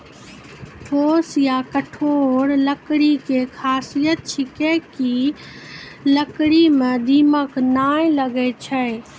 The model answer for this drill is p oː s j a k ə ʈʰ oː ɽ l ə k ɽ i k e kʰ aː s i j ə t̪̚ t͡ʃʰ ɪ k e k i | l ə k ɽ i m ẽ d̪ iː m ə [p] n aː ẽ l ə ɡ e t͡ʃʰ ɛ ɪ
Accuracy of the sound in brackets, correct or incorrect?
incorrect